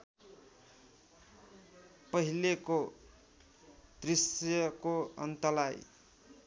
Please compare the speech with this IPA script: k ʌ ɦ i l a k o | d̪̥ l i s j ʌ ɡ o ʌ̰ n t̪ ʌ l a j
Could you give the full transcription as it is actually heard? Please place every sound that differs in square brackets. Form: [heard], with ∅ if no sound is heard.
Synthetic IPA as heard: [p] ʌ ɦ i l [e] k o | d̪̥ [r] i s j ʌ [k] o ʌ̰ n t̪ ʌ l a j

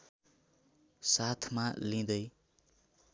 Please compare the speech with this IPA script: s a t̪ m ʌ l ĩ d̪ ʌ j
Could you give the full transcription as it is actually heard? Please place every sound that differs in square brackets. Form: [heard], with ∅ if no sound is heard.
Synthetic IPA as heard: s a [t̪ʰ] m [a] l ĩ d̪ ʌ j

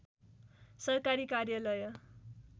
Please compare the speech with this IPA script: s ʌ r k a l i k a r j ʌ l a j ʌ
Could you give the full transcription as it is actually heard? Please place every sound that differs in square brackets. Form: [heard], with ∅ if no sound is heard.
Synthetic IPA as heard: s ʌ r k a [ɾ] i k a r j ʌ l [ʌ] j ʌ

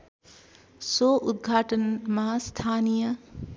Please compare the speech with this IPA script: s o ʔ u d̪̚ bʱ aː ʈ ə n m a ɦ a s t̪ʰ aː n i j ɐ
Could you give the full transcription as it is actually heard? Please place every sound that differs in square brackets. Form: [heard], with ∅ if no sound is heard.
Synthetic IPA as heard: s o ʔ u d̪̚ [ɡʱ] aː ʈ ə n m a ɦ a s t̪ʰ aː n i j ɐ

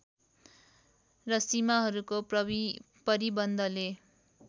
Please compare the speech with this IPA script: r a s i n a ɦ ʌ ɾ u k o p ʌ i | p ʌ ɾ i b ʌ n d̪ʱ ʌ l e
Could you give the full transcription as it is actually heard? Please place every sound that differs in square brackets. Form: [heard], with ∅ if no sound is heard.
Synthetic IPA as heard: r [ʌ] s i [m] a ɦ ʌ ɾ u k o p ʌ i | p ʌ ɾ i b ʌ n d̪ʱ ʌ l e

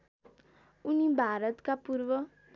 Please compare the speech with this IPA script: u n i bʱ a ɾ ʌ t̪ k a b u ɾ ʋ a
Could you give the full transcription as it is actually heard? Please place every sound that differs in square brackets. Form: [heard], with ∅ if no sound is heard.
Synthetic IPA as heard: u n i bʱ a ɾ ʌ t̪ k a [p] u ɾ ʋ [ʌ]

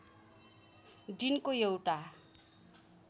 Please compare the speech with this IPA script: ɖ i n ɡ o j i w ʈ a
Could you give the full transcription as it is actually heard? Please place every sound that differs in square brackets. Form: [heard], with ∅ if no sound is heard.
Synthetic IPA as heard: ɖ i n [k] o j [e] w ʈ a

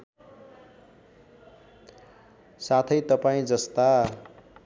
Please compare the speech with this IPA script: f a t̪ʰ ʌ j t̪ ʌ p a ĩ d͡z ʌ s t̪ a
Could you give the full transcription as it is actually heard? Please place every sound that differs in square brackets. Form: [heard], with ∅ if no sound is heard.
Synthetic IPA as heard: [s] a t̪ʰ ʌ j t̪ ʌ p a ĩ d͡z ʌ s t̪ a

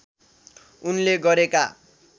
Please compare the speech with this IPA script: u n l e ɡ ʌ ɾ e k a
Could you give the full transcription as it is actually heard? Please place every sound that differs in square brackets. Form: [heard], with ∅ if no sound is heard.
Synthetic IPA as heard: u n l e ɡ ʌ ɾ e k a

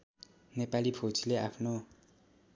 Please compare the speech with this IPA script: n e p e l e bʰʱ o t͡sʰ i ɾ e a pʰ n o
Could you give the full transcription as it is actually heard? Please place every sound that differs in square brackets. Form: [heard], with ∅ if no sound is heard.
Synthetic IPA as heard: n e p [a] l [i] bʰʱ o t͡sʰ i [l] e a pʰ n o

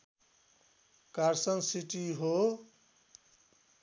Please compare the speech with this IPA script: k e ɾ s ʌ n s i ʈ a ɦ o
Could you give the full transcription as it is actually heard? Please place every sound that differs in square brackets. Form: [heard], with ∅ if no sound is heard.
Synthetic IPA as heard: k [a] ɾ s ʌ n s i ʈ [i] ɦ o

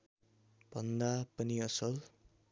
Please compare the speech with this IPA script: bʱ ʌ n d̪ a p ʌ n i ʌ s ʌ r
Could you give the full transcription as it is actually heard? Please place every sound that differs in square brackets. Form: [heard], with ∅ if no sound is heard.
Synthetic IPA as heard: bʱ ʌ n d̪ a p ʌ n i ʌ s ʌ [l]

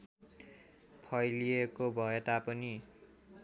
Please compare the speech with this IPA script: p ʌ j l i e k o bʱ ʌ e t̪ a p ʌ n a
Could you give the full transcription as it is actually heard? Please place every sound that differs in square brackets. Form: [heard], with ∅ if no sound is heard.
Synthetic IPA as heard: [pʰ] ʌ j l i e k o bʱ ʌ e t̪ a p ʌ n [i]

